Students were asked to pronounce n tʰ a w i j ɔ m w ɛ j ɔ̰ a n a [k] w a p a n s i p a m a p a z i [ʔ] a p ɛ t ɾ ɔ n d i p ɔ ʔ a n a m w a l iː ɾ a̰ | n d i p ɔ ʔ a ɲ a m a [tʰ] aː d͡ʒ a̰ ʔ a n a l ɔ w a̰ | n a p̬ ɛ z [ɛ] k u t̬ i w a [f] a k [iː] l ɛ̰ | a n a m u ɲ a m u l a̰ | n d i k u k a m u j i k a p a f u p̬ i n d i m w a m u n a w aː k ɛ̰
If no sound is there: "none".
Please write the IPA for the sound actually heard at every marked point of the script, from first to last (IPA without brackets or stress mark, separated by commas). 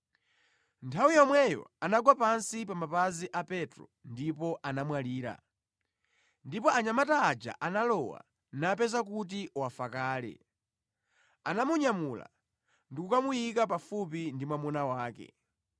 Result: ɡ, ʔ, t, a, f, aː